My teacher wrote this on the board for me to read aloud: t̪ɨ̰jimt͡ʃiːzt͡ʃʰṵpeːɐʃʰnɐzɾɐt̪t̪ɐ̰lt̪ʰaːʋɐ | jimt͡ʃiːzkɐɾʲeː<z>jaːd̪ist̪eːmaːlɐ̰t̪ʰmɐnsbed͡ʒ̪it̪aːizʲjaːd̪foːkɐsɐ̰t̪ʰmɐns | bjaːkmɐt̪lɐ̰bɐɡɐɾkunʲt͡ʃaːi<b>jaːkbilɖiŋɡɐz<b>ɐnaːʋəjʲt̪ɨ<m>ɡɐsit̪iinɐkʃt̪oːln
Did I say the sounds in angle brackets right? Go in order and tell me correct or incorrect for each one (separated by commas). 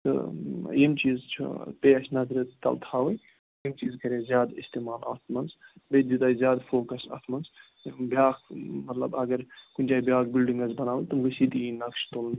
correct, correct, correct, correct